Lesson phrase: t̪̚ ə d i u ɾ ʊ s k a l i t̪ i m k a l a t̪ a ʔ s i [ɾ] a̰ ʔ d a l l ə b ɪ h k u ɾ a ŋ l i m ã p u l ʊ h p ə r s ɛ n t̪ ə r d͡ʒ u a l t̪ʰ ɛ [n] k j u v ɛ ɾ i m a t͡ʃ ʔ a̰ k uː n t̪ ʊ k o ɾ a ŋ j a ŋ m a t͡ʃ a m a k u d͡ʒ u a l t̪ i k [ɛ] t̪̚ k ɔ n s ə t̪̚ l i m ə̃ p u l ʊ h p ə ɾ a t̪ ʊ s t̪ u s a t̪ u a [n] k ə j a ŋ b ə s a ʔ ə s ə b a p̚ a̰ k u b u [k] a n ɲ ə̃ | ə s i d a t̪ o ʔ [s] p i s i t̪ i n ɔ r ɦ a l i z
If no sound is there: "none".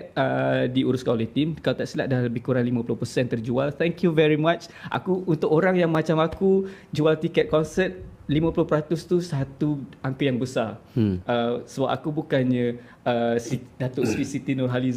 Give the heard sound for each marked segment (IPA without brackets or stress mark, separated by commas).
l, ŋ, ɛ, ŋ, k, s